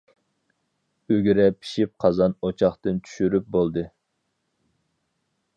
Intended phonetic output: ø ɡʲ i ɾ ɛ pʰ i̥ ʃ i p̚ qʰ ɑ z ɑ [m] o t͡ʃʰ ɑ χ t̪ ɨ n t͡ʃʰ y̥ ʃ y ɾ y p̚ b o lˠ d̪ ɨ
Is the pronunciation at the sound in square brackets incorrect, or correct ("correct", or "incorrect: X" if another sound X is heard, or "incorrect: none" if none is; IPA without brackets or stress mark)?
incorrect: n